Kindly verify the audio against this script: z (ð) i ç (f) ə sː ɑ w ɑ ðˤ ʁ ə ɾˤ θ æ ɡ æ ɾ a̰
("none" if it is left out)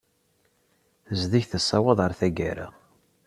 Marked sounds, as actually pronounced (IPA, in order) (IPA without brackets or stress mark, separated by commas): ð, θ